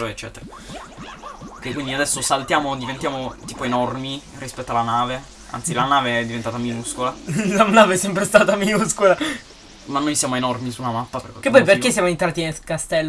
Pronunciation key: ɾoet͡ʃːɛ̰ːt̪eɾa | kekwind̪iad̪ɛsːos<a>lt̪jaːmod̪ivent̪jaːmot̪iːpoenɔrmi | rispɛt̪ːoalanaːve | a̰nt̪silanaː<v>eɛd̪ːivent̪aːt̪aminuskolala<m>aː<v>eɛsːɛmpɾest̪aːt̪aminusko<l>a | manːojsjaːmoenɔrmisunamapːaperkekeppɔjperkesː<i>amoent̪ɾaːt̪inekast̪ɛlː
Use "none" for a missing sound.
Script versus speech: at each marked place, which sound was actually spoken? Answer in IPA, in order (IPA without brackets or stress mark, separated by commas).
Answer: a, v, n, v, l, j